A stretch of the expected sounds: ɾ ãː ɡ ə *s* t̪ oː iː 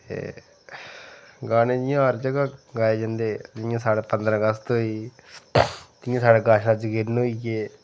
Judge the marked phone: correct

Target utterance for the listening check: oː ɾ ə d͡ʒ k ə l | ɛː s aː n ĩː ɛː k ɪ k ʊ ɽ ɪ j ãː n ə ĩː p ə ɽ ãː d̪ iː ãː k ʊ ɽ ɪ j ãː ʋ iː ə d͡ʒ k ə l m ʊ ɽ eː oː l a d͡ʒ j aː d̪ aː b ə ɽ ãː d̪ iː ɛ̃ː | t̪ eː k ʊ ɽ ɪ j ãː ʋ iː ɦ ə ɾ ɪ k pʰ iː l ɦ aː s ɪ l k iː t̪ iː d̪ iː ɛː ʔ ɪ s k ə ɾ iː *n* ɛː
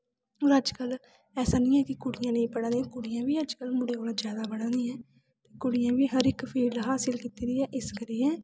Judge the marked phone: incorrect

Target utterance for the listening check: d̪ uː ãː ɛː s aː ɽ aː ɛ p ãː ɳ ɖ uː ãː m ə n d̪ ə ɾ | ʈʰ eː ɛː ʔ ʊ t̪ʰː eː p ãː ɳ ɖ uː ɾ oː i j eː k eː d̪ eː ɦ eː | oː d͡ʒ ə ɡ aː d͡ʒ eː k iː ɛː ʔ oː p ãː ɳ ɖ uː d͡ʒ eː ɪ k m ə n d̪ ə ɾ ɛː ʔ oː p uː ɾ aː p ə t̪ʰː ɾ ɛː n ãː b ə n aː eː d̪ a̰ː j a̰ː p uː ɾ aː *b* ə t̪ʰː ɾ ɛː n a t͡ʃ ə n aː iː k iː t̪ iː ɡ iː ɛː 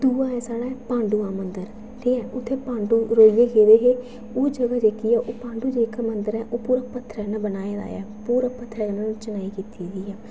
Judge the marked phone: incorrect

